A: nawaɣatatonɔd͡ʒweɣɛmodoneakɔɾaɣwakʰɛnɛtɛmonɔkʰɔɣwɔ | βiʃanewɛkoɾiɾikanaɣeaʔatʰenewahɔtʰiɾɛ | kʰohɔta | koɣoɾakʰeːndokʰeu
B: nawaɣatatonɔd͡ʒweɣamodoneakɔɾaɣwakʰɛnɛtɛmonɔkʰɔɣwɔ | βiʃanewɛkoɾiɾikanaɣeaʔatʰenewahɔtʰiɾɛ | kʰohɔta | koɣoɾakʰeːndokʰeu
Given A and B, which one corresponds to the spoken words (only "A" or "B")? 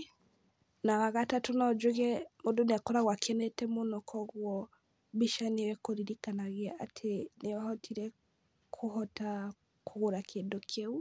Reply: A